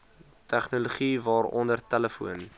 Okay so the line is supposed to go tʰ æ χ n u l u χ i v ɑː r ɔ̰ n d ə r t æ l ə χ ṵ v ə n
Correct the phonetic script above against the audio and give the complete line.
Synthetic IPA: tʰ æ χ n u l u χ i v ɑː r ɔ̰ n d ə r t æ l ə f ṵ ə n